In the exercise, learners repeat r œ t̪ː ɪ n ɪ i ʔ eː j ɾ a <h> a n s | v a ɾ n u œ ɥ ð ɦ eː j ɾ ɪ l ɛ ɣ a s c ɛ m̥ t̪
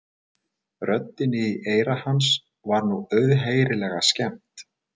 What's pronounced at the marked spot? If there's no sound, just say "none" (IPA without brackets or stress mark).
h